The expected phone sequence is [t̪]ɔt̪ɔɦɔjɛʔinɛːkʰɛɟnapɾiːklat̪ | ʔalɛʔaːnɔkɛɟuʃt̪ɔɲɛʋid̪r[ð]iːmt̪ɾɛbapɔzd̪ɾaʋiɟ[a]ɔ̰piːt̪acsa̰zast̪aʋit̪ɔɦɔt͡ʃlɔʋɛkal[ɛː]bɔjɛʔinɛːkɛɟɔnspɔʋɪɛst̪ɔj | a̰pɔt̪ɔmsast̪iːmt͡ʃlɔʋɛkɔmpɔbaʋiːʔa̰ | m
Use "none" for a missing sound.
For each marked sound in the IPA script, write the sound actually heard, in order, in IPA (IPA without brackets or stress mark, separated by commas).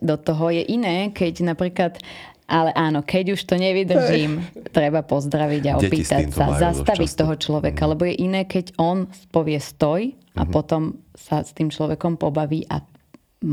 d̪, ʒ, a, ɛ